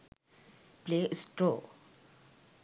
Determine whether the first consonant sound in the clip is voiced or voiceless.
voiceless